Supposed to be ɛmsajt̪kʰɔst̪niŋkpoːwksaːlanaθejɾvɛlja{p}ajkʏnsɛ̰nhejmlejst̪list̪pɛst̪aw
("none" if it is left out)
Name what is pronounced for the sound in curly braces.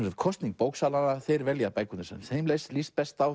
p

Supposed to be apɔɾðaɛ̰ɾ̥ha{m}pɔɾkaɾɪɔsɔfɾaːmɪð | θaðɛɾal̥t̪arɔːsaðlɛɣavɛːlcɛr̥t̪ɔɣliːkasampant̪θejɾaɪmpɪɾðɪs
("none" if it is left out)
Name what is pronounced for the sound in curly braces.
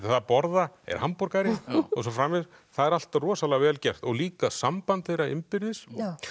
m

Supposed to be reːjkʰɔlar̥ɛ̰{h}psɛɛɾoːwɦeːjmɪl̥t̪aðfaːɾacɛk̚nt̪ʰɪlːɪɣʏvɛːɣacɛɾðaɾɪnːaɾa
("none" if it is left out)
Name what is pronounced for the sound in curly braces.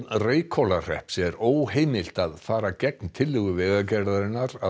h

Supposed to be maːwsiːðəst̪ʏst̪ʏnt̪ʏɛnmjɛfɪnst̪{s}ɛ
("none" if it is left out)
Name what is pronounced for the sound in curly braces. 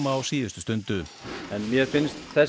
θ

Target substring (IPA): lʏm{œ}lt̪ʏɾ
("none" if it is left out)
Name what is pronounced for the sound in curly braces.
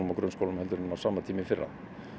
ɛ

